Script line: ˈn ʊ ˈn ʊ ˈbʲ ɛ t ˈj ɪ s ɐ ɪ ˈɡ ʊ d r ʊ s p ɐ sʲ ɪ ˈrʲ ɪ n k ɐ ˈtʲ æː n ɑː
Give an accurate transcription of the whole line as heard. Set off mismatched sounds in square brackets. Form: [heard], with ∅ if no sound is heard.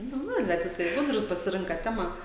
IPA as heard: ˈn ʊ ˈn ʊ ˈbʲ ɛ t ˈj ɪ s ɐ ɪ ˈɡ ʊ d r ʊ s p ɐ sʲ ɪ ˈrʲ ɪ [ŋ] k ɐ ˈtʲ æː [m] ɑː